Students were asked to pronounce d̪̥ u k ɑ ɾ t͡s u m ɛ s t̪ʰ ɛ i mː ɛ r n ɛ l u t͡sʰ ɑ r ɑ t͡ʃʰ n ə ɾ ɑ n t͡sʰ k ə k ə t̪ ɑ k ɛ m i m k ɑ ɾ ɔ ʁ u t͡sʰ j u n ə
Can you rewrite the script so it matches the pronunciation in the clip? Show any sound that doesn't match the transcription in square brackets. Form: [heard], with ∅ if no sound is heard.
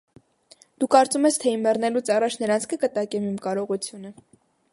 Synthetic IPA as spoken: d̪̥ u k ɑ ɾ t͡s u m ɛ s t̪ʰ ɛ i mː ɛ r n ɛ l u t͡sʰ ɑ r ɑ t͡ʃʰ n ə ɾ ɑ n t͡sʰ k ə k ə t̪ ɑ k ɛ m i m k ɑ ɾ ɔ ʁ u t͡sʰ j u n ə